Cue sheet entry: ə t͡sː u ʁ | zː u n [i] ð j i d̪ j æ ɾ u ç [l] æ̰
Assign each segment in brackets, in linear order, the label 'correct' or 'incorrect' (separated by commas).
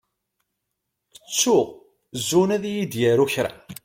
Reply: incorrect, incorrect